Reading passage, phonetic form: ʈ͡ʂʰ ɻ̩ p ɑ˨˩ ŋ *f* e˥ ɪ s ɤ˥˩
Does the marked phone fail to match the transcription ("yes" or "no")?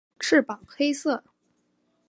yes